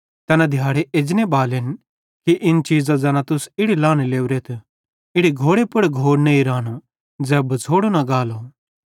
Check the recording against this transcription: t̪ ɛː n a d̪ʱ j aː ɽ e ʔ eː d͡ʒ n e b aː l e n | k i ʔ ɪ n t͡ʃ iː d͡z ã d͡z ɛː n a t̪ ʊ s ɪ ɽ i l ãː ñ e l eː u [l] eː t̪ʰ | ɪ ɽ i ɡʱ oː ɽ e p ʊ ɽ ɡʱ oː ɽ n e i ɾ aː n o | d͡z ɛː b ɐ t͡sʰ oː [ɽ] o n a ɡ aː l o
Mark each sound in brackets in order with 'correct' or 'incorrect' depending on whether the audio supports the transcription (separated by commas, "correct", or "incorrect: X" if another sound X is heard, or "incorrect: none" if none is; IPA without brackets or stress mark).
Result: incorrect: ɾ, correct